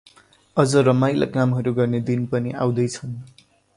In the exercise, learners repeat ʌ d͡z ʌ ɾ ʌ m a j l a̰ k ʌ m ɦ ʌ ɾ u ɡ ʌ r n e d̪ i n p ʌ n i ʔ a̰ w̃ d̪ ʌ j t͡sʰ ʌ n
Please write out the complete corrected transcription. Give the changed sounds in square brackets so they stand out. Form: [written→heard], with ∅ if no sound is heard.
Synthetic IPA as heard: ʌ d͡z ʌ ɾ ʌ m a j l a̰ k [ʌ→a] m ɦ ʌ ɾ u ɡ ʌ r n e d̪ i n p ʌ n i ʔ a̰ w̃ d̪ ʌ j t͡sʰ ʌ n